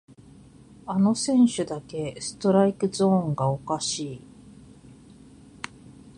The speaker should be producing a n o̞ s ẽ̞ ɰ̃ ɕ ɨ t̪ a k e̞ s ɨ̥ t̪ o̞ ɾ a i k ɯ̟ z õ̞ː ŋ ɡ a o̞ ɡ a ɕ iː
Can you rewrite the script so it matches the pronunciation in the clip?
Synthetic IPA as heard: a n o̞ s ẽ̞ ɰ̃ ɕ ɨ d̪ a k e̞ s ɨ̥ t̪ o̞ ɾ a i k ɯ̟ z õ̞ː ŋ ɡ a o̞ k a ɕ iː